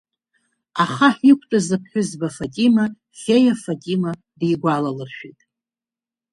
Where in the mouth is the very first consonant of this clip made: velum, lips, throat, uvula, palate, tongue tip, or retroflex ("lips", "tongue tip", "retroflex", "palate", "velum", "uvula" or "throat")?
uvula